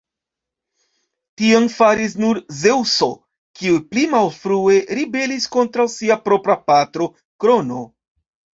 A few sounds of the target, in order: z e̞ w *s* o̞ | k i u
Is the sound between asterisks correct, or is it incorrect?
correct